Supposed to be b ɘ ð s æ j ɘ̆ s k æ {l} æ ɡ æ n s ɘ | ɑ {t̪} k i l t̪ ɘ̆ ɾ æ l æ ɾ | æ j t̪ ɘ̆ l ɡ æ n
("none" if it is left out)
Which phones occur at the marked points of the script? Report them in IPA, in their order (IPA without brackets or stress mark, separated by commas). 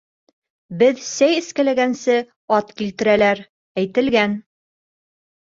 l, t̪